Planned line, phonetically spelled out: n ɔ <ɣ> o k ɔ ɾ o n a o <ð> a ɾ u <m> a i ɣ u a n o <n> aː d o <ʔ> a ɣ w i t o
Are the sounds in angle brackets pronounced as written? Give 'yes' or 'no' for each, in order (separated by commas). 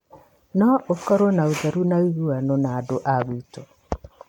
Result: no, yes, no, yes, yes